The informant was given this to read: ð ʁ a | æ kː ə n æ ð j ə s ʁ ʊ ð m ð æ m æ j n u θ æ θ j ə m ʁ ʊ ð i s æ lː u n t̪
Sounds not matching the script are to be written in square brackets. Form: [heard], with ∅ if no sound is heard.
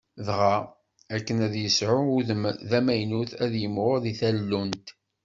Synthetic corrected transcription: ð ʁ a | æ kː ə n æ ð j ə s [ʕ] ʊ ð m ð æ m æ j n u θ æ [ð] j ə m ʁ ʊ ð i [θ] æ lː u n t̪